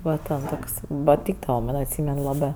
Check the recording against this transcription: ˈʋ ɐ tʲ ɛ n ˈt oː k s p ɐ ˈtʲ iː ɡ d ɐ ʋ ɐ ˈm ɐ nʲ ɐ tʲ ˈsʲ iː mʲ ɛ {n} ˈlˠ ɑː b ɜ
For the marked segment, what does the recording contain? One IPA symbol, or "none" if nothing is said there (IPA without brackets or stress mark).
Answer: n